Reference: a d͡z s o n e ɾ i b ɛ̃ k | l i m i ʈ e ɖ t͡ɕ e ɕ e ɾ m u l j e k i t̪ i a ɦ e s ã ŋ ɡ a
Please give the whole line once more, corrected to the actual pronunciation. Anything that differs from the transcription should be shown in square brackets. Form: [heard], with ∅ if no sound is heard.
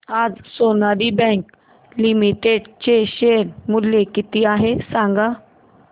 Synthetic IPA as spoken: a d͡z s o n [a] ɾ i b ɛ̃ k | l i m i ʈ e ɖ t͡ɕ e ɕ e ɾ m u l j e k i t̪ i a ɦ e s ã ŋ ɡ a